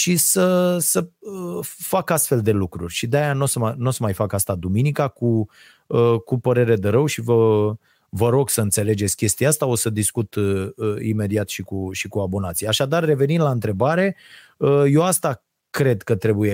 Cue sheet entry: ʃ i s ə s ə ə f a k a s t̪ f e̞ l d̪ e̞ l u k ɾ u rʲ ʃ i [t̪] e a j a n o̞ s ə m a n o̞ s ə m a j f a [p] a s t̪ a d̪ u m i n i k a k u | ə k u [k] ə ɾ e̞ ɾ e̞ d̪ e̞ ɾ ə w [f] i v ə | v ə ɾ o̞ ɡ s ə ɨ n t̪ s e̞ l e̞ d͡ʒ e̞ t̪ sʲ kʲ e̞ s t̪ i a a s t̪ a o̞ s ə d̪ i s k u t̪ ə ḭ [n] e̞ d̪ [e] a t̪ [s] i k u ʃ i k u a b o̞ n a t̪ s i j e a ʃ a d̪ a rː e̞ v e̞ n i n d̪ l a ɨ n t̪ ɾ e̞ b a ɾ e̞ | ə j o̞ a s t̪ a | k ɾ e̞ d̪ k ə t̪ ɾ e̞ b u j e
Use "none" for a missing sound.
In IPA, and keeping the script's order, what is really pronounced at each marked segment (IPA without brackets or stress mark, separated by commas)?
d̪, k, p, ʃ, m, i, ʃ